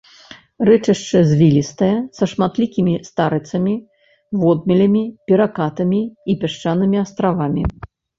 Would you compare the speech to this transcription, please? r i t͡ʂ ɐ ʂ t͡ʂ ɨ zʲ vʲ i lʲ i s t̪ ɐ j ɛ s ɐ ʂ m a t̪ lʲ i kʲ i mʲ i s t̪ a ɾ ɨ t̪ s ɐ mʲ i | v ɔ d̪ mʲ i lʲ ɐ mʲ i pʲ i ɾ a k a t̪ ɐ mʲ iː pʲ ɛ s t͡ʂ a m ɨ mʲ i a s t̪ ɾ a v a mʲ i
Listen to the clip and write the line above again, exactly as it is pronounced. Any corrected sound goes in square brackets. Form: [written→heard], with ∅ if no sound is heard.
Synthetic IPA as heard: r [i→ɛ] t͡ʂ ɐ ʂ t͡ʂ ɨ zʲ vʲ i lʲ i s t̪ ɐ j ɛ s ɐ ʂ m a t̪ lʲ i kʲ i mʲ i s t̪ a ɾ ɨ t̪ s ɐ mʲ i | v ɔ d̪ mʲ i lʲ ɐ mʲ i pʲ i ɾ a k a t̪ ɐ mʲ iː pʲ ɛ [s→ʂ] t͡ʂ a [m→n] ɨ mʲ i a s t̪ ɾ a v a mʲ i